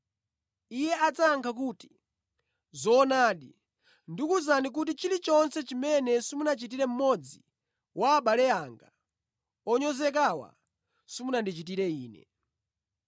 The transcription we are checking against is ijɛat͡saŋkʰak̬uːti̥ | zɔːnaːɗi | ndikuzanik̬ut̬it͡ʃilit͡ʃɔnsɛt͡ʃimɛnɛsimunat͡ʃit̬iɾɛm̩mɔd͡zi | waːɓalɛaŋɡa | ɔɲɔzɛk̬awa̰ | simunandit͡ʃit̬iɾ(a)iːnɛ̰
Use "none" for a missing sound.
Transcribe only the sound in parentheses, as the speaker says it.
ɛ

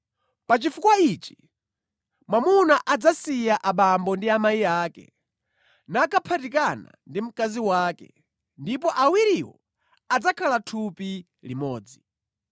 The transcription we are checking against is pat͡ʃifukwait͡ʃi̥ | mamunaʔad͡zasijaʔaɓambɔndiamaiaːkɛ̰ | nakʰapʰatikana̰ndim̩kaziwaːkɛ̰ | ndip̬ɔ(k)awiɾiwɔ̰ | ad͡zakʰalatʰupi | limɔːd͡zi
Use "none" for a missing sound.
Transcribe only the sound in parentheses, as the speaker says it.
ʔ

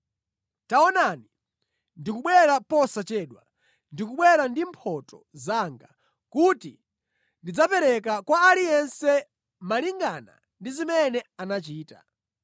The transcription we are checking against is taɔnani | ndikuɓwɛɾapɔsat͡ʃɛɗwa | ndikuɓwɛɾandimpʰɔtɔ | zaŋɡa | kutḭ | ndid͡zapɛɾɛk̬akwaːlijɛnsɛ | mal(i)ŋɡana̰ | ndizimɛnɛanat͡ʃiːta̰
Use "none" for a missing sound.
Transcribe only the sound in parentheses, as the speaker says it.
i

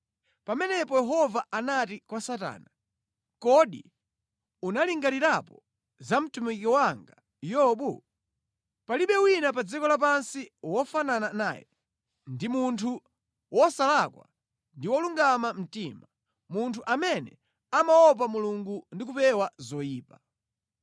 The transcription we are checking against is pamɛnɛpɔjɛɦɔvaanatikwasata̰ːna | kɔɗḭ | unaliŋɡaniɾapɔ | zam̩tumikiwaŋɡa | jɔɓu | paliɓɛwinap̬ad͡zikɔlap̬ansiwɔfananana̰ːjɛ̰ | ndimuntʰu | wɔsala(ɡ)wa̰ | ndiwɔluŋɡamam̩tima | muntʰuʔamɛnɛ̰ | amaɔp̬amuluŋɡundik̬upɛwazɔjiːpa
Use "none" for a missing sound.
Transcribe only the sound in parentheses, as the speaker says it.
k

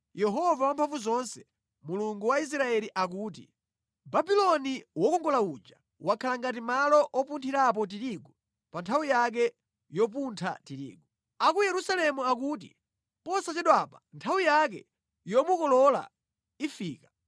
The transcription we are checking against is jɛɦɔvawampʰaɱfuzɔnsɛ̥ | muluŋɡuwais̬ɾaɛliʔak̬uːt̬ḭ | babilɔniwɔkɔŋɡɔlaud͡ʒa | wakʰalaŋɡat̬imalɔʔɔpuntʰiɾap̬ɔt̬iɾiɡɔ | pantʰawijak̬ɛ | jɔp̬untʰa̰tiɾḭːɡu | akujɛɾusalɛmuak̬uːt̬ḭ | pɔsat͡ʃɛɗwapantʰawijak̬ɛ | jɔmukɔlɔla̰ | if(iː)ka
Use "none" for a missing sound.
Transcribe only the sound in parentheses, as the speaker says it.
iː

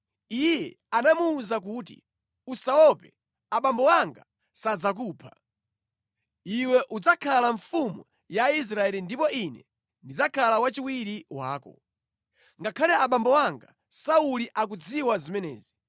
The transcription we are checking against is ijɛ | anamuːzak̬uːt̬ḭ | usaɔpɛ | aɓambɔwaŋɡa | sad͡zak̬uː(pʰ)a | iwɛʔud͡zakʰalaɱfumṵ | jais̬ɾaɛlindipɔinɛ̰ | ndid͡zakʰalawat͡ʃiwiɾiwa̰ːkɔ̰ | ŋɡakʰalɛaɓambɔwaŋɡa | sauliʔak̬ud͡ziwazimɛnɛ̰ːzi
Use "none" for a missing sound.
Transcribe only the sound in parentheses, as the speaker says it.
pʰ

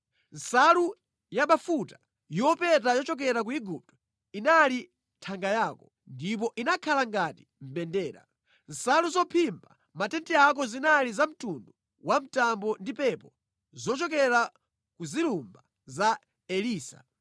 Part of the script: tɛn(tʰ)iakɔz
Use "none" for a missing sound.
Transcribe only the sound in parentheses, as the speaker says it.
t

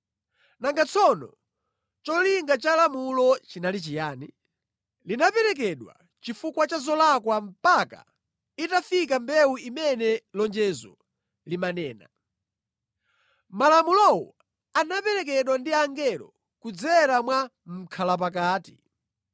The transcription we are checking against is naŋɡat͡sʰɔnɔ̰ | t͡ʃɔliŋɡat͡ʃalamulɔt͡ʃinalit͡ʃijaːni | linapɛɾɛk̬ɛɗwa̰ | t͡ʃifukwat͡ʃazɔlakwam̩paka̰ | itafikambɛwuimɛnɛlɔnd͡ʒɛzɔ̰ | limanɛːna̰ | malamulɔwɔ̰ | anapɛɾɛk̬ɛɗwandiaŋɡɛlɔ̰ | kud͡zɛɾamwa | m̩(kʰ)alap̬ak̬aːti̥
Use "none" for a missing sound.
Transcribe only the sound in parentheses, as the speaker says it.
kʰ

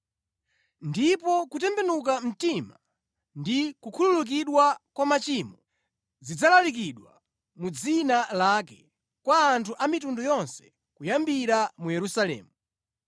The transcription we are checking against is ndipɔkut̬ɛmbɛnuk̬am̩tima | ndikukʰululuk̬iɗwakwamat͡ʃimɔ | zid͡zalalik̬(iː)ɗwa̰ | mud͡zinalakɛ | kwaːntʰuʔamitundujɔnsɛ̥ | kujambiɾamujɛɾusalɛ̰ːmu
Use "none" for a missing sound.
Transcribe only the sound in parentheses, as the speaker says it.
i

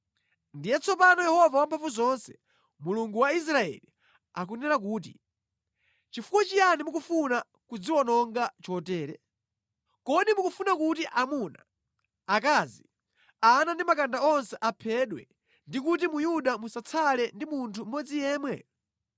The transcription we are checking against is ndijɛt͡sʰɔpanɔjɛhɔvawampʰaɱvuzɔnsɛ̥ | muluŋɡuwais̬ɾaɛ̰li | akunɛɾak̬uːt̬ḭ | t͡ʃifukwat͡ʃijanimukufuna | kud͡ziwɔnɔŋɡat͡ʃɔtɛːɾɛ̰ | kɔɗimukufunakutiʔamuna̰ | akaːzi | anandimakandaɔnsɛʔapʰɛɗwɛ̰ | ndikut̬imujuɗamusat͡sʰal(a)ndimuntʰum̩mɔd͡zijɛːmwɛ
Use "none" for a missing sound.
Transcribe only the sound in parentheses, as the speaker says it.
ɛ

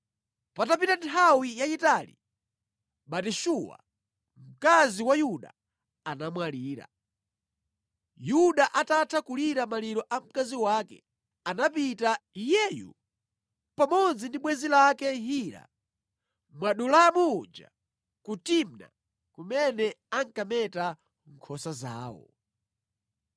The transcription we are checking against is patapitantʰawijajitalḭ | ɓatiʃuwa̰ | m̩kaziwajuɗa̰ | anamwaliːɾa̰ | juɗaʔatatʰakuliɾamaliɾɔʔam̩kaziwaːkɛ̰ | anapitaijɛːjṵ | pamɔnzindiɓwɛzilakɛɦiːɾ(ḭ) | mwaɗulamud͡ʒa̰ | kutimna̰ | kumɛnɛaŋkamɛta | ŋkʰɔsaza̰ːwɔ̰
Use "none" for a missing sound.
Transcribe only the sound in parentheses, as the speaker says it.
a̰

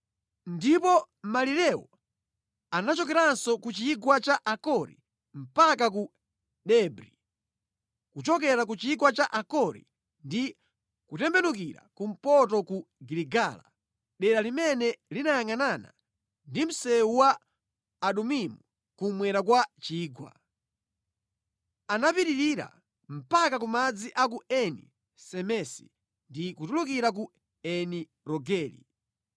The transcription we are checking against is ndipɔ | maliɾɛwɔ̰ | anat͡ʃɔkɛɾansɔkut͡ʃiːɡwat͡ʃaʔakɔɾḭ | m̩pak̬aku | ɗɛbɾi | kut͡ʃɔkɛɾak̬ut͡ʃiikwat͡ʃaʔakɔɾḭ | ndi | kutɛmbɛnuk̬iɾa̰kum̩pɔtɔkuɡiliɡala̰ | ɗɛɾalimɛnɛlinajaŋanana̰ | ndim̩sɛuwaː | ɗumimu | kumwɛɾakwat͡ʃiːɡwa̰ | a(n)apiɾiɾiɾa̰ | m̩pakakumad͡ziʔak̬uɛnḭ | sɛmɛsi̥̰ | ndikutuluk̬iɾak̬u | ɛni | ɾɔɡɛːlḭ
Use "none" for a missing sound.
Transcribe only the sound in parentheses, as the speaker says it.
n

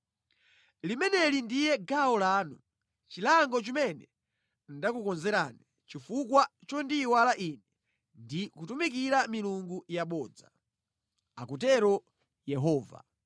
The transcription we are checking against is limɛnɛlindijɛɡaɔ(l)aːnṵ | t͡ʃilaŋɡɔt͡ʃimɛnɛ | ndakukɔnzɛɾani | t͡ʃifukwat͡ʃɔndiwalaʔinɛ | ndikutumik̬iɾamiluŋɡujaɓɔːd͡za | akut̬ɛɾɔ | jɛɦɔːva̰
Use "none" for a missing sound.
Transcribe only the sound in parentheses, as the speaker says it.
l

